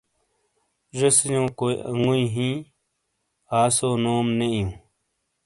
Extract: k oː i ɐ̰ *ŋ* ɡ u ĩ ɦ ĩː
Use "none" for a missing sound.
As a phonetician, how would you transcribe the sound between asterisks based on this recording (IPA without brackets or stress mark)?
ŋ